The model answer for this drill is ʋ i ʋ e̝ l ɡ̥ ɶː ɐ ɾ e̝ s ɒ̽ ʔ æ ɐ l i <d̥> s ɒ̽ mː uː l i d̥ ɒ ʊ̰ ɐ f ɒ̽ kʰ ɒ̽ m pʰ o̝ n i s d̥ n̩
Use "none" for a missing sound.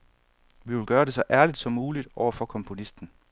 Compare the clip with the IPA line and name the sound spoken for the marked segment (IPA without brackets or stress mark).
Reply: d̥